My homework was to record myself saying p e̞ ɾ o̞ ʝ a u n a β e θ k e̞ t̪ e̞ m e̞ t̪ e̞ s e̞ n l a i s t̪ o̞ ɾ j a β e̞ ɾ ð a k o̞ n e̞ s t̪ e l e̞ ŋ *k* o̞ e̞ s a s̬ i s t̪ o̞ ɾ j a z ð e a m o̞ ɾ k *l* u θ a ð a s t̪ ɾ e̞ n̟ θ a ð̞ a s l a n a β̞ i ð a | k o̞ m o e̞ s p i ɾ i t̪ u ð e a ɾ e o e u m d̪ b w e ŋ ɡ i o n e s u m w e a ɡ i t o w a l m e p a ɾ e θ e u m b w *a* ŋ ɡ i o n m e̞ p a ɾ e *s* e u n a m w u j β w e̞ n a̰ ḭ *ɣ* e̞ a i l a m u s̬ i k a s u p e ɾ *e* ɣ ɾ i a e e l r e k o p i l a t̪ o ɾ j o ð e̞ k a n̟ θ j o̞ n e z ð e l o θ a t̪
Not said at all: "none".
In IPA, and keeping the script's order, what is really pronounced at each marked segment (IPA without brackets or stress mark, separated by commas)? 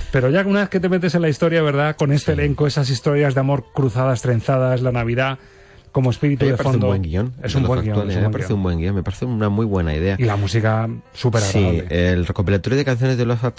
k, ɾ, e, θ, ð, a